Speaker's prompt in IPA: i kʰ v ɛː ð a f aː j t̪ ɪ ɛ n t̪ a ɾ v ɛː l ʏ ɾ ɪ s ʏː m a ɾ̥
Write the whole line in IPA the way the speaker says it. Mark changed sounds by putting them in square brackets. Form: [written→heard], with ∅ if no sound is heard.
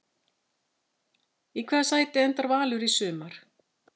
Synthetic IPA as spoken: i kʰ v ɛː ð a [f→s] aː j t̪ ɪ ɛ n t̪ a ɾ v [ɛː→aː] l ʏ ɾ [ɪ→i] s ʏː m a ɾ̥